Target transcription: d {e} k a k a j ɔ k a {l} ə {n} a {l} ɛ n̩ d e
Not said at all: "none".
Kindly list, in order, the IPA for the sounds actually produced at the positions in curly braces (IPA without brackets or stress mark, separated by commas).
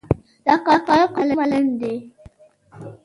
a, l, m, l